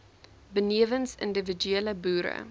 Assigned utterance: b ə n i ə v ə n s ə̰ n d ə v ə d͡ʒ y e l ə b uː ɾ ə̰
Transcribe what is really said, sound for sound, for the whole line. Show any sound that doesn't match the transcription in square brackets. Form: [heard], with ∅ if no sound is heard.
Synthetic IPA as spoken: b ə n i ə v ə n s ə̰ n d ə v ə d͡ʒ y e l ə b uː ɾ ə̰